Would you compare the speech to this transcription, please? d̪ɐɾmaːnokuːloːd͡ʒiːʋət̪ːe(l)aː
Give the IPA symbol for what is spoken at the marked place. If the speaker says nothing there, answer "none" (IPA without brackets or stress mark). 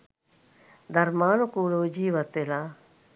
l